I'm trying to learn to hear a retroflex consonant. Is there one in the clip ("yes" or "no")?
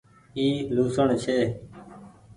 yes